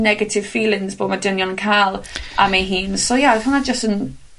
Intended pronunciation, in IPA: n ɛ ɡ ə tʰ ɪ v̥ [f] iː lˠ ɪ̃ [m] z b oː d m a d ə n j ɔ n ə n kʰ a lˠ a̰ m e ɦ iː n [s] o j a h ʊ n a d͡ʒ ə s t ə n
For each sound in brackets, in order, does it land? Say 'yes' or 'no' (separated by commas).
yes, no, yes